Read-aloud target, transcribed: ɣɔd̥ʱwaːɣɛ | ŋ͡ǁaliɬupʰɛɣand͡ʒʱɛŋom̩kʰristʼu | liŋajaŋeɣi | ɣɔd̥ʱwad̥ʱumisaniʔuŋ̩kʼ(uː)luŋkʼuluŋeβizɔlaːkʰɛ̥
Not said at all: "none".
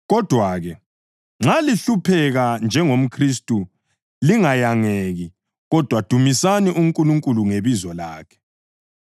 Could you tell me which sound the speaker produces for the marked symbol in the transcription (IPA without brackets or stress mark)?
u